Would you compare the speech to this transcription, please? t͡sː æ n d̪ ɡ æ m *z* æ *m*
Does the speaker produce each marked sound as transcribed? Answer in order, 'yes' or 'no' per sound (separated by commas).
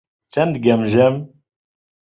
no, yes